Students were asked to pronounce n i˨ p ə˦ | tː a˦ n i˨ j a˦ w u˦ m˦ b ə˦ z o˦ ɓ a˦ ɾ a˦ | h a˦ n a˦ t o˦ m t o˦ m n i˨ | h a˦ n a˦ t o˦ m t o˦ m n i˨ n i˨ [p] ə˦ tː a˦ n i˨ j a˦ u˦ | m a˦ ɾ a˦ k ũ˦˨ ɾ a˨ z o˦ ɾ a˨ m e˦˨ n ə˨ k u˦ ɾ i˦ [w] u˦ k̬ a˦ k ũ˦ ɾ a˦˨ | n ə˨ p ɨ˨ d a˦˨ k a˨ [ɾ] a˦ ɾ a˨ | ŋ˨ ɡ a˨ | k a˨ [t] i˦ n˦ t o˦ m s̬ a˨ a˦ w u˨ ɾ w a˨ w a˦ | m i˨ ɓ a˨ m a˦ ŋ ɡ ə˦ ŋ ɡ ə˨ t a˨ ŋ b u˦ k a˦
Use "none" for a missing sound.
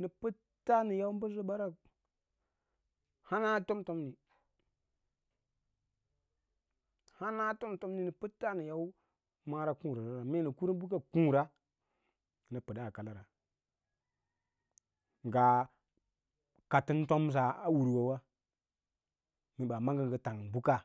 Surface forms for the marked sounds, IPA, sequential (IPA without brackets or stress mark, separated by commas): p, b, l, t